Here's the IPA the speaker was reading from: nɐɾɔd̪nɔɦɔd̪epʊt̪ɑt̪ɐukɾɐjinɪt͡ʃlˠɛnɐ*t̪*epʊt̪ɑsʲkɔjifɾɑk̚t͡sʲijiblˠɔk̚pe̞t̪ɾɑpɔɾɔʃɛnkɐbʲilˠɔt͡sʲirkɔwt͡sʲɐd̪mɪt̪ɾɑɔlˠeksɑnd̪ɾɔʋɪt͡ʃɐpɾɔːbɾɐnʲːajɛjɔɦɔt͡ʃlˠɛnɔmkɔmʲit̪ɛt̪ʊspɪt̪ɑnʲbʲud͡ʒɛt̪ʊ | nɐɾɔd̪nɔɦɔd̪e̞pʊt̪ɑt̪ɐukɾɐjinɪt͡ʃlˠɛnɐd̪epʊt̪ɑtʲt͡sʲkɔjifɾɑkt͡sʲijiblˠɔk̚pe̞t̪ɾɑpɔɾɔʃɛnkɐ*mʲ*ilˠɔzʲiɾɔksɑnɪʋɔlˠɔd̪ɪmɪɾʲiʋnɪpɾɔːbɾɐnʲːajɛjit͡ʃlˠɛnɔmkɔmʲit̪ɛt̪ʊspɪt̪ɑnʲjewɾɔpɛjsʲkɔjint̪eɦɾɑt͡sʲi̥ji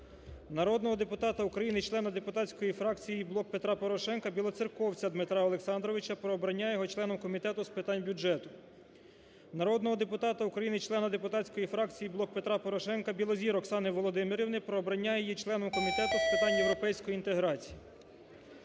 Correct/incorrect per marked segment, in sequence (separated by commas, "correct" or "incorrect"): incorrect, incorrect